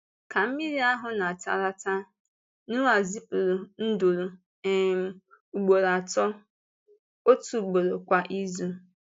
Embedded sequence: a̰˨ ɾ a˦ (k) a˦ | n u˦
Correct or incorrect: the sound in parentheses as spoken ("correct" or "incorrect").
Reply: incorrect